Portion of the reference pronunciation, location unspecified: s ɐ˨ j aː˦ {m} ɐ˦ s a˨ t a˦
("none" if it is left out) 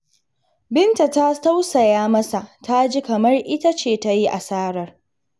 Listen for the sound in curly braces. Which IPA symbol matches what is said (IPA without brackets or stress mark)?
m